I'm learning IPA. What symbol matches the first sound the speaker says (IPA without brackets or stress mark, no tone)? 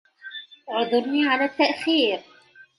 ʕ